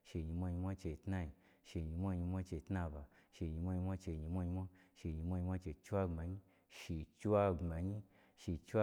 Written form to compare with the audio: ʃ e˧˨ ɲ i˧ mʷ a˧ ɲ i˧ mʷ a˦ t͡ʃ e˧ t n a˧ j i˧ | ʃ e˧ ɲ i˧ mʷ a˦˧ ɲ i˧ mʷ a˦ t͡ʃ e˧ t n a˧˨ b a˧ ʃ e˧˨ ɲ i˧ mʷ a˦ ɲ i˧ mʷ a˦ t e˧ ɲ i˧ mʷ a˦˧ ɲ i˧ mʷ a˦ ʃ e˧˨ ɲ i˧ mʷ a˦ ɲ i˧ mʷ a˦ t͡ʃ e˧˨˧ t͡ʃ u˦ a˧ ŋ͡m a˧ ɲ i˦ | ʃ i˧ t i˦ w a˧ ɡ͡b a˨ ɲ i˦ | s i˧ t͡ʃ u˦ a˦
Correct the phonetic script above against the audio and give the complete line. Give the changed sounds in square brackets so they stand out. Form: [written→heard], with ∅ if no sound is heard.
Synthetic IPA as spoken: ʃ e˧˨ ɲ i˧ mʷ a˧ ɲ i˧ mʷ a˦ t͡ʃ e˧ t n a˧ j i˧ | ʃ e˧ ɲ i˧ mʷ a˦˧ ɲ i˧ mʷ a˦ t͡ʃ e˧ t n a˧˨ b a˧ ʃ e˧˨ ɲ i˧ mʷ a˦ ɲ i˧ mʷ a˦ [t→t͡ʃ] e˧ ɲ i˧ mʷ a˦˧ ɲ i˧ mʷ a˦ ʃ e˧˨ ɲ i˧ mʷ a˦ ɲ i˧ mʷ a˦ t͡ʃ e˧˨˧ t͡ʃ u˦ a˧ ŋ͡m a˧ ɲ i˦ | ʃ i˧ [t→t͡ʃ] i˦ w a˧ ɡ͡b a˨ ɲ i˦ | [s→ʃ] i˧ t͡ʃ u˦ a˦

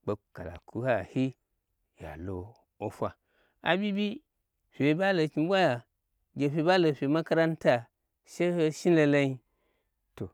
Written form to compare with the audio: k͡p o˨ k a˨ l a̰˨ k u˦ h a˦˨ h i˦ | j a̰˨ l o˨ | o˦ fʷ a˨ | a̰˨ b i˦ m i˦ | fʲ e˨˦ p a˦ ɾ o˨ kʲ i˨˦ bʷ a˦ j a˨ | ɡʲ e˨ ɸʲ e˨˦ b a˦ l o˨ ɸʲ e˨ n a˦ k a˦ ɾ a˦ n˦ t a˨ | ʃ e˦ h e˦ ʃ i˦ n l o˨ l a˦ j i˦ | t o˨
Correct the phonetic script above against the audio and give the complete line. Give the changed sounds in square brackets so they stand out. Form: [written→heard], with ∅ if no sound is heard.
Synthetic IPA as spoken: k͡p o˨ k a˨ l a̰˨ k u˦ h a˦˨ h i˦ | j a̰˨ l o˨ | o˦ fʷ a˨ | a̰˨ b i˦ [m→b] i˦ | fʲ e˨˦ [p→b] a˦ [ɾ→l] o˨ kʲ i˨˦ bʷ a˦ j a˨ | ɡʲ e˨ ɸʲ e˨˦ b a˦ l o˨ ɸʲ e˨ [n→m] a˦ k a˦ ɾ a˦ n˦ t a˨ | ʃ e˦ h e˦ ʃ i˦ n l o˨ l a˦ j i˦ | t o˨

